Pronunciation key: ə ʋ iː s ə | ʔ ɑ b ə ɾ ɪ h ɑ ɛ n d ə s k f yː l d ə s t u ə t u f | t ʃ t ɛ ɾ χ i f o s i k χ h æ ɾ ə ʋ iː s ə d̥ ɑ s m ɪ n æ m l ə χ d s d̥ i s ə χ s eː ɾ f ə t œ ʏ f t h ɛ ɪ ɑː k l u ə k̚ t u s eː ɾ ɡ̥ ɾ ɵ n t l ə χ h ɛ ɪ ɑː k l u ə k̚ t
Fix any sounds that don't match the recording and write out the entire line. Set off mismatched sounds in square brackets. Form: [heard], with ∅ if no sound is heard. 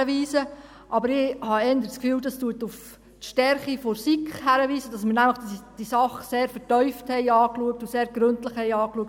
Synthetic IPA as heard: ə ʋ iː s ə | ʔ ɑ b ə ɾ ɪ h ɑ ɛ n d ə s k f yː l d [ɑ] s t u ə t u f | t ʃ t ɛ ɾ χ i f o s i k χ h æ ɾ ə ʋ iː s ə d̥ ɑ s m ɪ n æ m l ə χ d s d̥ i s [ɑ] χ s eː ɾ f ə t œ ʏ f t h ɛ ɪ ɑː k l u ə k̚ t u s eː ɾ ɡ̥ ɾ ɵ n t l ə χ h ɛ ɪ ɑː k l u ə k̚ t

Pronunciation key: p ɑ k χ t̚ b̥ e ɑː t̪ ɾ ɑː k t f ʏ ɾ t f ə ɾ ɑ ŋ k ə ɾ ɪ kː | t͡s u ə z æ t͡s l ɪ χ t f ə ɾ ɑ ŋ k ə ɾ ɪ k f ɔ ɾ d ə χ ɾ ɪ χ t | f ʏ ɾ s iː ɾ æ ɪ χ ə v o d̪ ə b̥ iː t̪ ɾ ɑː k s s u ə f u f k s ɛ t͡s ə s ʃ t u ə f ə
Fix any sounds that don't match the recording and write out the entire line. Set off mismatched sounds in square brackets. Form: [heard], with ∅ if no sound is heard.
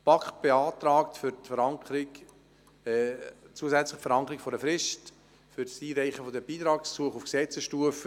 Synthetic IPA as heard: p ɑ k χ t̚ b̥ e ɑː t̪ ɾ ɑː k t f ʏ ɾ t f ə ɾ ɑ ŋ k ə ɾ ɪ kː | t͡s u ə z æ t͡s l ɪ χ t f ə ɾ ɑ ŋ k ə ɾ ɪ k f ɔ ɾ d ə [f] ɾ ɪ [ʃ] t | f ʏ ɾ s iː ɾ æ ɪ χ ə [f] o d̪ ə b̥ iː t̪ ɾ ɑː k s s u ə [χ] u f k s ɛ t͡s ə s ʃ t u ə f ə

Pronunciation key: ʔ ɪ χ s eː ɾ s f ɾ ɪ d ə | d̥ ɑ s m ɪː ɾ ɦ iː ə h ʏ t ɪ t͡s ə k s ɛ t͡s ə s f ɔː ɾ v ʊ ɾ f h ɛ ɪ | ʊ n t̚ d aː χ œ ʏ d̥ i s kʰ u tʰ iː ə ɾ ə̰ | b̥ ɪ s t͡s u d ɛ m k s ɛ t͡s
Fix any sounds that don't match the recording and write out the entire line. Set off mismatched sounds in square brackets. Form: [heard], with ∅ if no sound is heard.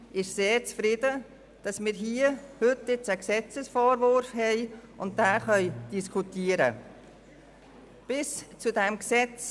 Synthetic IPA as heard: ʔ ɪ [ʃ] s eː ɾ [t͡s] f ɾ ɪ d ə | d̥ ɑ s m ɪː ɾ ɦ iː ə h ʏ t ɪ t͡s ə k s ɛ t͡s ə s f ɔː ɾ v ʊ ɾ f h ɛ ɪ | ʊ n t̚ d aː χ œ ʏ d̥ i s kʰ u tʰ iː ə ɾ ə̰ | b̥ ɪ s t͡s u d ɛ m k s ɛ t͡s

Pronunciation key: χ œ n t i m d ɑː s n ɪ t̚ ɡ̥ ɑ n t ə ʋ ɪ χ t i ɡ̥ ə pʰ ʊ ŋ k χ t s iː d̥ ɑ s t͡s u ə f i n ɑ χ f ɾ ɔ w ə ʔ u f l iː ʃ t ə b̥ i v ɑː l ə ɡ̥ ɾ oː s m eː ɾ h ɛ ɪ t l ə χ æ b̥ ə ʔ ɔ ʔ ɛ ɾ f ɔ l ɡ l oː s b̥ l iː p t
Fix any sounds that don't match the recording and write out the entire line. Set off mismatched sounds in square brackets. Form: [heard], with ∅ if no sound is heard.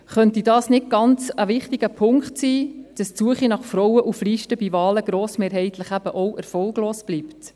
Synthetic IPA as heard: χ œ n t i [∅] d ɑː s n ɪ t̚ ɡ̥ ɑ n [t͡s] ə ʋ ɪ χ t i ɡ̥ ə pʰ ʊ ŋ k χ t s iː d̥ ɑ s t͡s u ə [χ] i n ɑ χ f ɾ ɔ w ə ʔ u f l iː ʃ t ə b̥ i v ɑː l ə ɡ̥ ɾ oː s m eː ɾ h ɛ ɪ t l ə χ æ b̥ ə ʔ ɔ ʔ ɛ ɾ f ɔ l ɡ l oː s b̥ l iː p t

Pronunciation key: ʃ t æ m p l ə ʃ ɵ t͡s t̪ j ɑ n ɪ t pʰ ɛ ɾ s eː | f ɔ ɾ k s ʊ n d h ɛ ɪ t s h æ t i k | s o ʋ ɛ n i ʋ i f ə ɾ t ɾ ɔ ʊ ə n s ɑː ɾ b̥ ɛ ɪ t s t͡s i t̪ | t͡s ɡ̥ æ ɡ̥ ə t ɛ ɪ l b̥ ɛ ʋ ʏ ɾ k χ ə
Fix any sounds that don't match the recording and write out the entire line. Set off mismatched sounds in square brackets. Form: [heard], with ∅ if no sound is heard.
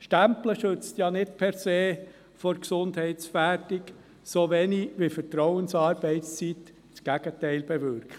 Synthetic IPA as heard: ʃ t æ m p l ə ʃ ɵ t͡s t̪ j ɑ n ɪ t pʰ ɛ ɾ s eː | f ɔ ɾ k s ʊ n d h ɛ ɪ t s [f] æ t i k | s o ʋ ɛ n i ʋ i f ə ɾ t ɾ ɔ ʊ ə n s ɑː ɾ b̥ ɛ ɪ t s t͡s i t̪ | t͡s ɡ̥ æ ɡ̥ ə t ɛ ɪ l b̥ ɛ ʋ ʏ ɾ k χ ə

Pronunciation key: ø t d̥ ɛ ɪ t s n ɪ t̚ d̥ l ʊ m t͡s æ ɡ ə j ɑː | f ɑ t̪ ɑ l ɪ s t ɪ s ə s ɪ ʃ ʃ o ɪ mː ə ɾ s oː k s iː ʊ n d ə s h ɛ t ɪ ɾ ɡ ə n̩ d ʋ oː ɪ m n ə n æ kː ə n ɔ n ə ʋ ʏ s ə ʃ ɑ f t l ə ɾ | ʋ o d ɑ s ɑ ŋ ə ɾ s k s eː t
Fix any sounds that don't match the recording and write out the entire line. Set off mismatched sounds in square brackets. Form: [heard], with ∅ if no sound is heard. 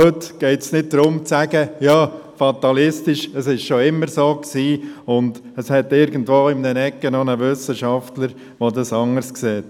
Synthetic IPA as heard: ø t [ɡ̥] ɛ ɪ t s n ɪ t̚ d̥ [ɾ] ʊ m t͡s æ ɡ ə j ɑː | f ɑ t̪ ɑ l ɪ s t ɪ [ʃ] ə s ɪ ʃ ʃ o ɪ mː ə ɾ s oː k s iː ʊ n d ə s h ɛ t ɪ ɾ ɡ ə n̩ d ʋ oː ɪ m n ə n [ɛ] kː ə n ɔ n ə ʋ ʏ s ə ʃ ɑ f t l ə ɾ | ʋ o d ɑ s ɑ ŋ ə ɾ s k s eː t

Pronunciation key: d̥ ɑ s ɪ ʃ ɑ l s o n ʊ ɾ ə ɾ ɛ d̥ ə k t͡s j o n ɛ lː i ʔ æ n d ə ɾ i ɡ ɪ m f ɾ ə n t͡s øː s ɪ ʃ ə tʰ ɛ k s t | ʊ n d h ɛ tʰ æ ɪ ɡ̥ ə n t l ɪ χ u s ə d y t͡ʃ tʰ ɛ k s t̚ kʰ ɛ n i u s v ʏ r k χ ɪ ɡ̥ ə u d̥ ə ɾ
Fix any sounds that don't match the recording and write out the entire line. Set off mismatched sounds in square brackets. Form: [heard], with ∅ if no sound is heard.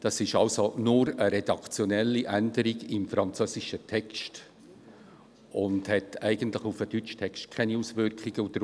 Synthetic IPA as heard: d̥ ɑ s ɪ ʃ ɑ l s o n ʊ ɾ ə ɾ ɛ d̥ [ɑ] k t͡s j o n ɛ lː i ʔ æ n d ə ɾ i ɡ ɪ m f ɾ [ɑ] n t͡s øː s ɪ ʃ ə tʰ ɛ k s t | ʊ n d h ɛ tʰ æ ɪ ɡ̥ ə n t l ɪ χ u [f] ə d y t͡ʃ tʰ ɛ k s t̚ kʰ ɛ n i u s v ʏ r k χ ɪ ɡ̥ ə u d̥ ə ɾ

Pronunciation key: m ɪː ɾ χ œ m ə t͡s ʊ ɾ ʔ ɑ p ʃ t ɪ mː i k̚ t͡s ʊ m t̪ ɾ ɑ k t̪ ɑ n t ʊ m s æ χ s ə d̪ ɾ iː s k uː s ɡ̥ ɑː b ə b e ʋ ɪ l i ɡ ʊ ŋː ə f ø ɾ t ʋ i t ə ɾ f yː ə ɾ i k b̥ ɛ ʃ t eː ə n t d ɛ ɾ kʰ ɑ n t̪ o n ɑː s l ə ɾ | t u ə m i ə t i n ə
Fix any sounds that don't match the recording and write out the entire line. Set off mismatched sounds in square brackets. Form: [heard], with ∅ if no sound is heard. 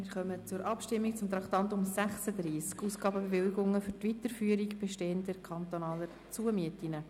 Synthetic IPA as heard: m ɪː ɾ χ œ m ə t͡s ʊ ɾ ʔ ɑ p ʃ t ɪ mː i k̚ t͡s ʊ m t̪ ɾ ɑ k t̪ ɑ n t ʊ m s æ χ s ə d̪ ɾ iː s k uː s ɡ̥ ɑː b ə b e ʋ ɪ l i ɡ ʊ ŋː ə f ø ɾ t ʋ i t ə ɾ f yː ə ɾ i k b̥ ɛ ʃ t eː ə n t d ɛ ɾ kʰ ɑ n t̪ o n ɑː [∅] l ə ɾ | [t͡s] u ə m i ə t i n ə

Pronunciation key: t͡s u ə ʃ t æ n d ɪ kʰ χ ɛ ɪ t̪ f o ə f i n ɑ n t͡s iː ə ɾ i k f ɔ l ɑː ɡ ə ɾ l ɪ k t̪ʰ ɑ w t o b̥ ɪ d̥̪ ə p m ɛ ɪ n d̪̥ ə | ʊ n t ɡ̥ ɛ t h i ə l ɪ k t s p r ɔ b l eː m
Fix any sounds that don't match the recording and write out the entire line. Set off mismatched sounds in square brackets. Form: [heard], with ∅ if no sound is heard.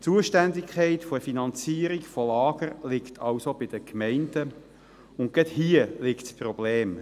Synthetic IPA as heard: t͡s u ə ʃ t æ n d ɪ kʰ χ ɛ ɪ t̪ f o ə f i n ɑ n t͡s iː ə ɾ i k f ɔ l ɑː ɡ ə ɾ l ɪ k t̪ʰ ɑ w [s] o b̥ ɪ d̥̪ ə [k] m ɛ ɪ n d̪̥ ə | ʊ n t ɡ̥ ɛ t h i ə l ɪ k t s p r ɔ b l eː m

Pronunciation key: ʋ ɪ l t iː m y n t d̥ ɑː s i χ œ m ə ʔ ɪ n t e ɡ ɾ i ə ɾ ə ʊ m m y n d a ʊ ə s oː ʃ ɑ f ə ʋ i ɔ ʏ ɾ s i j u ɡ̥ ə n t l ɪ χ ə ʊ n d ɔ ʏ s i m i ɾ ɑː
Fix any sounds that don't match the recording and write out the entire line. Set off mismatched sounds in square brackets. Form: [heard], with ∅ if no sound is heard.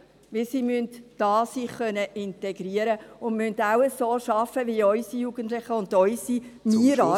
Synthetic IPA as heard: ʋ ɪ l [s] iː m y n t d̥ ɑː s i χ œ [n] ə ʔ ɪ n t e ɡ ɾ i ə ɾ ə ʊ [n] m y n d a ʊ ə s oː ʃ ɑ f ə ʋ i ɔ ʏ [∅] s i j u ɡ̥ ə n t l ɪ χ ə ʊ n d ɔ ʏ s i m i ɾ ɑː

